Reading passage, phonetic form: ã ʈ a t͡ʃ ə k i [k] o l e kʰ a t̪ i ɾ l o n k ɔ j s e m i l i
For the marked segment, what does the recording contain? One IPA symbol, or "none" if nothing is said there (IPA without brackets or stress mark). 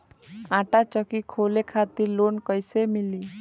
kʰ